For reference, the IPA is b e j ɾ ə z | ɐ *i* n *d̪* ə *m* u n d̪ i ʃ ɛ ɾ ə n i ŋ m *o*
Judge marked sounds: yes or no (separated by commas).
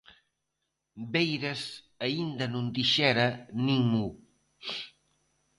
yes, yes, no, no